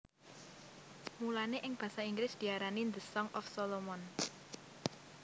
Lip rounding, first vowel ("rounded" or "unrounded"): rounded